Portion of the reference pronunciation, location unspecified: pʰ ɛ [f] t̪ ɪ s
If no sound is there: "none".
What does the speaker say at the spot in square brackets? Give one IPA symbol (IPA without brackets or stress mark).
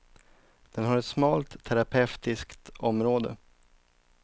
f